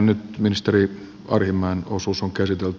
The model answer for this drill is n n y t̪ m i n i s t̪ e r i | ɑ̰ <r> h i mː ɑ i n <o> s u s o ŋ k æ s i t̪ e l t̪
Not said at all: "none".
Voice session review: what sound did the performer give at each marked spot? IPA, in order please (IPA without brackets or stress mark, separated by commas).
r, o